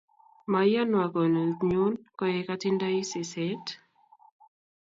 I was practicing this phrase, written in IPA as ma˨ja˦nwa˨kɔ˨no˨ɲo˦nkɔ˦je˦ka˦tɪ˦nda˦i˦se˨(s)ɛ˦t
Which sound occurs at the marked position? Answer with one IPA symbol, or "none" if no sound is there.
s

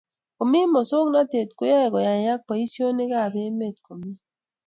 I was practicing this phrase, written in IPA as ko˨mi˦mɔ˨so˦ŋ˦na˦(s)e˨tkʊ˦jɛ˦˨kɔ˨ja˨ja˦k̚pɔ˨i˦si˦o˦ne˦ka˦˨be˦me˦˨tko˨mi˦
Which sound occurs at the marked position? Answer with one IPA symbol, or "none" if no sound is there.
t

